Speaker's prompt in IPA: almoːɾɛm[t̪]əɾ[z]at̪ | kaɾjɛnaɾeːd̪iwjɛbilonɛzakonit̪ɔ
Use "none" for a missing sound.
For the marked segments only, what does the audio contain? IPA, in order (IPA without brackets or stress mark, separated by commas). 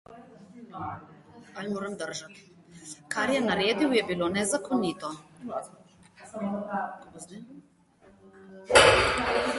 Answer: d̪, ʒ